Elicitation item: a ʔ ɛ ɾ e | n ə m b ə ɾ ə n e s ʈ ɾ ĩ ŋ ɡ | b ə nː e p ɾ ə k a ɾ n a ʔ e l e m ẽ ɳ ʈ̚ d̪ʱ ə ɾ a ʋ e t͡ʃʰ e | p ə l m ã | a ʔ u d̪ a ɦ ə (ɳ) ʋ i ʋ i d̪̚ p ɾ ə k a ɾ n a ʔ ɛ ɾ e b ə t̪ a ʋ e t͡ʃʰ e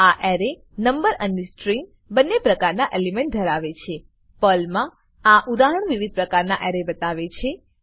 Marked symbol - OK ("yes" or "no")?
yes